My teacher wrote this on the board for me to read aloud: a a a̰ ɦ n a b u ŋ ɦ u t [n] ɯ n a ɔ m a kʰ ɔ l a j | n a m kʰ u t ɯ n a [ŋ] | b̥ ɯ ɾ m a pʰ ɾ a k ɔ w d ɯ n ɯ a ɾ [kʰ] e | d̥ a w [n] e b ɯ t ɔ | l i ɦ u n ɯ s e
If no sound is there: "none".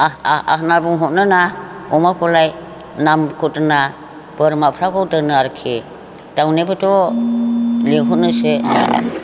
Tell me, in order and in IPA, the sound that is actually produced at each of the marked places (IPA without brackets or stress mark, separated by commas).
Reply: n, none, kʰ, n